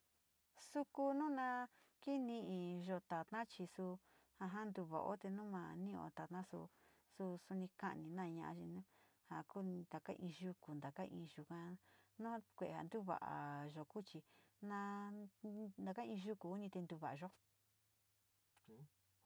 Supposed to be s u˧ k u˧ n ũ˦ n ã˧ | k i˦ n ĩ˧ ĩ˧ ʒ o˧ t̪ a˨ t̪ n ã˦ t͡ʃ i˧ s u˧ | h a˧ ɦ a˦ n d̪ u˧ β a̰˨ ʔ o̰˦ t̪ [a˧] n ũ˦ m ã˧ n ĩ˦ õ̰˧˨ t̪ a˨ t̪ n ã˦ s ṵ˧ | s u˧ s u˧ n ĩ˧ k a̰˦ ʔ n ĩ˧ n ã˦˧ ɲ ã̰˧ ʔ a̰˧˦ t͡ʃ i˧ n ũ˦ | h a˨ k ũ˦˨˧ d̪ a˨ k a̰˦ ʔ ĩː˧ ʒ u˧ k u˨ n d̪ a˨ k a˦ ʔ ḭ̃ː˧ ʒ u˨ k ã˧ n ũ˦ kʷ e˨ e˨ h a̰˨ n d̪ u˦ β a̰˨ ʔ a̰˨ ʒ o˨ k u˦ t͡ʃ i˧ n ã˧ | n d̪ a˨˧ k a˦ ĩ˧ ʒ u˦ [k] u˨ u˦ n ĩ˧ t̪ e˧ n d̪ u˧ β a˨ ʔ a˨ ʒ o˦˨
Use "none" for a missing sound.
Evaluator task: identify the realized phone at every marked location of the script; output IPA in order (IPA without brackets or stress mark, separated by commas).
e˧, k